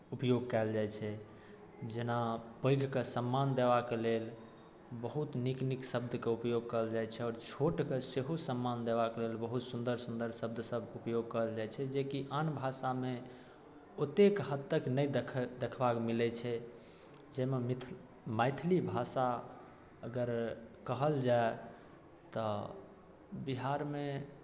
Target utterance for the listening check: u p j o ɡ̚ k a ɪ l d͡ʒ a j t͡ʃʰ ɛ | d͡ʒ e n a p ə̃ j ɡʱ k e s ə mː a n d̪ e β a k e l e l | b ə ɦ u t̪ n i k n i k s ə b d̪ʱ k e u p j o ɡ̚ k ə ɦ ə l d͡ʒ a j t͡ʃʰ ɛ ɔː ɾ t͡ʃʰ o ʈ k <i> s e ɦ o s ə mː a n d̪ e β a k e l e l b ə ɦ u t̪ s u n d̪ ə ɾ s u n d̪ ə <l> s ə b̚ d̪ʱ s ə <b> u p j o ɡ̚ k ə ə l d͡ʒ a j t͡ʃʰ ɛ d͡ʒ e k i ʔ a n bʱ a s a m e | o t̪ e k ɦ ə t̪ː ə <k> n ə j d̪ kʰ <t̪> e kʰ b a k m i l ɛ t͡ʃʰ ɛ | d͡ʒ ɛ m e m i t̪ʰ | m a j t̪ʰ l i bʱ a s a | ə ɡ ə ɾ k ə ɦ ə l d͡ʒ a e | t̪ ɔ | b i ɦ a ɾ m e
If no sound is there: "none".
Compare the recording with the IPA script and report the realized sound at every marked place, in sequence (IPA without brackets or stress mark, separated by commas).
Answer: e, ɾ, b, k, d̪